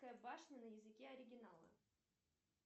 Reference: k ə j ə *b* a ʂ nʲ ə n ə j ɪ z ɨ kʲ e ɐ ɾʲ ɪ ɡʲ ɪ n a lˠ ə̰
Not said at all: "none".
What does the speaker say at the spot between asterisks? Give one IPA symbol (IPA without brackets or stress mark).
b